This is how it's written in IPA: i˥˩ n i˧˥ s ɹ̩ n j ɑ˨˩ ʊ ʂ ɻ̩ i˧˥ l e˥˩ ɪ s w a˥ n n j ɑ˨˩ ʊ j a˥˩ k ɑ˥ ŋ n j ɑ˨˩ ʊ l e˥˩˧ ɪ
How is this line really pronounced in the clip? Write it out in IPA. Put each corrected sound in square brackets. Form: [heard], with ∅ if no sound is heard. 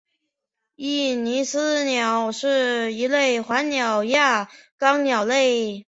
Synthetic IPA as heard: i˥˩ n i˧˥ s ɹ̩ n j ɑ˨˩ ʊ ʂ ɻ̩ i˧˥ l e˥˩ ɪ [x] w [a˧˥] n n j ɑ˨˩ ʊ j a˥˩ k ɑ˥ ŋ n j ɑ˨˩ ʊ l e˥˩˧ ɪ

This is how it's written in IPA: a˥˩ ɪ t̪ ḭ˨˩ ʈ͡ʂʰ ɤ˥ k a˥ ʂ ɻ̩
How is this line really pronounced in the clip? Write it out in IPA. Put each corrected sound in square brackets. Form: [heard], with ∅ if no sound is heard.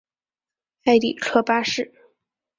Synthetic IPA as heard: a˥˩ ɪ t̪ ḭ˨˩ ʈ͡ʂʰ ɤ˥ [p] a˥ ʂ ɻ̩

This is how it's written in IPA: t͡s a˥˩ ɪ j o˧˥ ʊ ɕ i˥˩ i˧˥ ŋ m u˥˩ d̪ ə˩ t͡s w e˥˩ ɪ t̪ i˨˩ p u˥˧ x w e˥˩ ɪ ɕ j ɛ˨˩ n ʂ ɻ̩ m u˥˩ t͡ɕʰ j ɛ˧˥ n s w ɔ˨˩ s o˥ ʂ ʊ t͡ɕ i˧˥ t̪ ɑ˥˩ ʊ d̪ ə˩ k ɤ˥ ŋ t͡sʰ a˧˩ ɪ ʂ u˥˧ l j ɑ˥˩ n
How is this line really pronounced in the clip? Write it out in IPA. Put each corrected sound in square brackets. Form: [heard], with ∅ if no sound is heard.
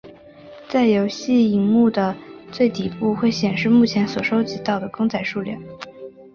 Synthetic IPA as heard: t͡s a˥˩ ɪ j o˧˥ ʊ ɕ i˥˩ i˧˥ ŋ m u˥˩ d̪ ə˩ t͡s w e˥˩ ɪ t̪ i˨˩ p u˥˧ x w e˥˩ ɪ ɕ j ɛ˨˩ n ʂ ɻ̩ m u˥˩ t͡ɕʰ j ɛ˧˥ n s w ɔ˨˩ [ʂ] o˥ [∅] ʊ t͡ɕ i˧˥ t̪ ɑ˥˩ ʊ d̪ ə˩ k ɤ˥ ŋ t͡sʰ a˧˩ ɪ ʂ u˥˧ l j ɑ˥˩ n

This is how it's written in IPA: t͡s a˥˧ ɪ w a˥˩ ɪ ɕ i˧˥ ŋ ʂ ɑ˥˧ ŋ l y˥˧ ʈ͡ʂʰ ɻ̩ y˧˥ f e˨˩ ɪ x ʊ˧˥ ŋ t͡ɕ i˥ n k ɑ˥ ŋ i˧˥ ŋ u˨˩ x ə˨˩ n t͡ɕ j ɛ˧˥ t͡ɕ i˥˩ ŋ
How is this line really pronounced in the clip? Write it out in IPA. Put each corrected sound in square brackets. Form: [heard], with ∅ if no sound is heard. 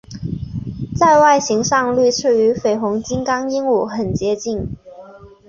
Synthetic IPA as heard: t͡s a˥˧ ɪ w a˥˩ ɪ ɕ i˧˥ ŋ ʂ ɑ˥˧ ŋ l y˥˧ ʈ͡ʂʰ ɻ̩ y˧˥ f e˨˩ ɪ x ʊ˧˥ ŋ t͡ɕ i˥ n k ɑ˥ ŋ [i˥] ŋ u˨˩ x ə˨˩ n t͡ɕ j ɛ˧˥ t͡ɕ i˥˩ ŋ

